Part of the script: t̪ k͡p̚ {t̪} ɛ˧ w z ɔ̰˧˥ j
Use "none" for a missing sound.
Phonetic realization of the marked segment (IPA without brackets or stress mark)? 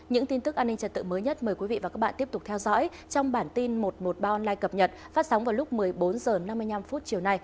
t̪ʰ